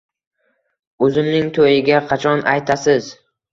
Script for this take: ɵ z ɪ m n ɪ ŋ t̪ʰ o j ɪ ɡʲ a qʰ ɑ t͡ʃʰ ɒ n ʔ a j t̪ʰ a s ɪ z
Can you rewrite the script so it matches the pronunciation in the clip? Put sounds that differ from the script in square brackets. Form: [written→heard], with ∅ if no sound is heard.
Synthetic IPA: ɵ z ɪ m n ɪ ŋ t̪ʰ o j ɪ ɡʲ a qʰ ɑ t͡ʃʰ ɒ n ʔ a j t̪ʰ a s ɪ z

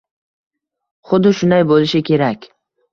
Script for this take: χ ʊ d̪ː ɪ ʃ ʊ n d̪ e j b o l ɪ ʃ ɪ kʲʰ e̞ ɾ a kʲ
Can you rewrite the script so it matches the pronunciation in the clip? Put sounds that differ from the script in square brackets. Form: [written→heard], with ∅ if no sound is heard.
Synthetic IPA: χ ʊ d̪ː ɪ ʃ ʊ n d̪ [e→a] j b o l ɪ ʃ ɪ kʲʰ e̞ ɾ a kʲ

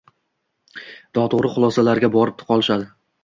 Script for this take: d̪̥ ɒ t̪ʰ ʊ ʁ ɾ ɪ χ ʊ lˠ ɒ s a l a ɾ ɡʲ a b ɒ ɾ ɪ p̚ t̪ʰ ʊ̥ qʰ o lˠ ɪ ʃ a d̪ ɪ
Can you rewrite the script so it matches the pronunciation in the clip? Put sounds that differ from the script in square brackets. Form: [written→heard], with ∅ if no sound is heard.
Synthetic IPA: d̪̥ ɒ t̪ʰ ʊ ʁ ɾ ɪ χ ʊ lˠ ɒ s a l a ɾ ɡʲ a b ɒ ɾ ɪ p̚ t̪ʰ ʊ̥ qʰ [o→ɒ] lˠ ɪ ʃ a d̪ ɪ

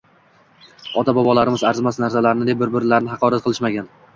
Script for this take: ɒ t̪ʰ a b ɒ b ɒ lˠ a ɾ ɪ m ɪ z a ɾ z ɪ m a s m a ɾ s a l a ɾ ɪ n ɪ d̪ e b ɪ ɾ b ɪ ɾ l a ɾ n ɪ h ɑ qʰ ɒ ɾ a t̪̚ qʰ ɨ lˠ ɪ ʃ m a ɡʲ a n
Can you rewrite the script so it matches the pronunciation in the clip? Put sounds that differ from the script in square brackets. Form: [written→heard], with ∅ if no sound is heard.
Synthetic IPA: ɒ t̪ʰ a b ɒ b ɒ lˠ a ɾ ɪ m ɪ z a ɾ z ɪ m a s [m→n] a ɾ s a l a ɾ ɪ n ɪ d̪ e b ɪ ɾ b ɪ ɾ l a ɾ n ɪ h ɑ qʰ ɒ ɾ a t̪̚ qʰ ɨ lˠ ɪ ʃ m a ɡʲ a n

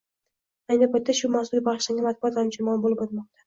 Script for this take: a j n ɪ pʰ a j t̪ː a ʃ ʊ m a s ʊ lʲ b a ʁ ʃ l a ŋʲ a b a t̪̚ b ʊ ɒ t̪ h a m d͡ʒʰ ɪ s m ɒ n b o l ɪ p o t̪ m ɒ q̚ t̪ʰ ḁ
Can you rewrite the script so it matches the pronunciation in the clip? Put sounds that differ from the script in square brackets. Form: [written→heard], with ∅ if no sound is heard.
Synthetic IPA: a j n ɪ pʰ a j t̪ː a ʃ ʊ m a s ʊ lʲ b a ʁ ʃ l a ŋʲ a [b→m] a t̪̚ b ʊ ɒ t̪ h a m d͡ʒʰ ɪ [s→∅] m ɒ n b o l ɪ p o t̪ m ɒ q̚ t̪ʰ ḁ

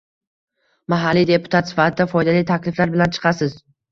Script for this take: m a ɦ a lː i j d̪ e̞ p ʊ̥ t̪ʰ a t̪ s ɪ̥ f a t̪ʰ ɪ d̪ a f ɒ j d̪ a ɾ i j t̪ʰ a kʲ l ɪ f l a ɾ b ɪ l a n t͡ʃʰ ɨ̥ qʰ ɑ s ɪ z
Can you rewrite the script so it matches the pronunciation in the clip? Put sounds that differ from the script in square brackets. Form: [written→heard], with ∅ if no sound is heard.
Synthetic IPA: m a ɦ a lː i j d̪ e̞ p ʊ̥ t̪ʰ a t̪ s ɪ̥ f a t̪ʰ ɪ d̪ a f ɒ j d̪ a [ɾ→l] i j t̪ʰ a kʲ l ɪ f l a ɾ b ɪ l a n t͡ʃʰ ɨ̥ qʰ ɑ s ɪ z

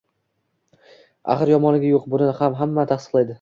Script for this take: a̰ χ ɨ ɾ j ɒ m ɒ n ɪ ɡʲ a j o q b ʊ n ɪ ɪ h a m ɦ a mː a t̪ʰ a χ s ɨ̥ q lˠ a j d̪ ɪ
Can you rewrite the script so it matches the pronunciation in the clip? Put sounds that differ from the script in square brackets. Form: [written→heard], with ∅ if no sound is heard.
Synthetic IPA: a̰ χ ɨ ɾ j ɒ m ɒ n ɪ ɡʲ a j o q b ʊ n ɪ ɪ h a m ɦ a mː a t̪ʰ a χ s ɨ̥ q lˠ a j d̪ ɪ

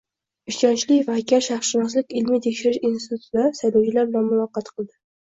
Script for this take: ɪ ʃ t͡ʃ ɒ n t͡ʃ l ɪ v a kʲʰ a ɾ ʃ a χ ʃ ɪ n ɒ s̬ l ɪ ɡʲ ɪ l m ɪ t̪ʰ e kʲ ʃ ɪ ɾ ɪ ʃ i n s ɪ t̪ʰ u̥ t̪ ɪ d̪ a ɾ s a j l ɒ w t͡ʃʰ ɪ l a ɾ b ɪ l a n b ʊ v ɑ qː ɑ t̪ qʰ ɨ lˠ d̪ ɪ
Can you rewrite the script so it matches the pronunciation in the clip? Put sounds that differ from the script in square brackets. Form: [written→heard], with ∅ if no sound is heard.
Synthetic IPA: ɪ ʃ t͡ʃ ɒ n t͡ʃ l ɪ v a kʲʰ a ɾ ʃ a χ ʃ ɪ n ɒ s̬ l ɪ [ɡʲ→kʲ] ɪ l m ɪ t̪ʰ e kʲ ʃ ɪ ɾ ɪ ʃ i n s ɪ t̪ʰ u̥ t̪ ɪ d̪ a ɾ s a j l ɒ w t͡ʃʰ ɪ l a ɾ b ɪ l a n [b→m] ʊ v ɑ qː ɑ t̪ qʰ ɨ lˠ d̪ ɪ

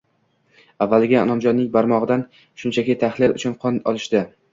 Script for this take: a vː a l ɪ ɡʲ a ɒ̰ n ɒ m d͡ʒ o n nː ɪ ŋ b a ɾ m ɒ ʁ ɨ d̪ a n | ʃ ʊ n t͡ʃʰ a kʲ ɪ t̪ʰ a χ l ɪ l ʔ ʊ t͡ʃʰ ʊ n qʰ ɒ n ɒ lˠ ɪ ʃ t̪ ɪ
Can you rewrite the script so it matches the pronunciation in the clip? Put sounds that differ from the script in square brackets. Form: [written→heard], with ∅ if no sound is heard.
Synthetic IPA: a vː a l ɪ ɡʲ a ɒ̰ n ɒ m d͡ʒ [o→ɒ] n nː ɪ ŋ b a ɾ m ɒ ʁ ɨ d̪ a n | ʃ ʊ n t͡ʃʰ a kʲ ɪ t̪ʰ a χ l ɪ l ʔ ʊ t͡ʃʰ ʊ n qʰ ɒ n ɒ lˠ ɪ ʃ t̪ ɪ

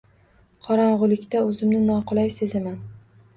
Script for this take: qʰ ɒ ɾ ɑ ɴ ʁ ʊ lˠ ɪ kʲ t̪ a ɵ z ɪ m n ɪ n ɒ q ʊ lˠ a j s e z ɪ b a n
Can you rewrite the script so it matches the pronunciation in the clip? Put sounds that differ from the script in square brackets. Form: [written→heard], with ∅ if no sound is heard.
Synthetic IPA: qʰ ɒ ɾ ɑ ɴ ʁ ʊ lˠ ɪ kʲ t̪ a ɵ z ɪ m n ɪ n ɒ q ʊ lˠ a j s e z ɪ [b→m] a n

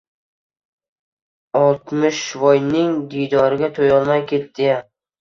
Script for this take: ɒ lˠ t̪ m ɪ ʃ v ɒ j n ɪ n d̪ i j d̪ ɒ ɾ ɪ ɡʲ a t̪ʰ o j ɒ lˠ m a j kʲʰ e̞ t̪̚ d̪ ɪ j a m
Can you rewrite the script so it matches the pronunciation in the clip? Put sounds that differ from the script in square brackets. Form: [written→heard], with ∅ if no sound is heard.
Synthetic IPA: ɒ lˠ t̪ m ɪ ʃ v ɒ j n ɪ [n→ŋ] d̪ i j d̪ ɒ ɾ ɪ ɡʲ a t̪ʰ o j ɒ lˠ m a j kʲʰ e̞ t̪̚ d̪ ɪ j a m

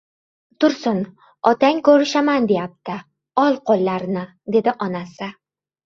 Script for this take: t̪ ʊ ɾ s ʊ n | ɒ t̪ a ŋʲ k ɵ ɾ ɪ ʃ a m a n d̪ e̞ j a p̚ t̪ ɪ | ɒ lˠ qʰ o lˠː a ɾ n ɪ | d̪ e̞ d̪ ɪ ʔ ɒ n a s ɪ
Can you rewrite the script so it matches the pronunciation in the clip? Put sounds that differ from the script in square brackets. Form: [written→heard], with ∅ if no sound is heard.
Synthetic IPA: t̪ ʊ ɾ s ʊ n | ɒ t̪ a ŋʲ k ɵ ɾ ɪ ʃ a m a n d̪ e̞ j a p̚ t̪ ɪ | ɒ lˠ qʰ o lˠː a ɾ n ɪ | d̪ e̞ d̪ ɪ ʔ ɒ n a s ɪ

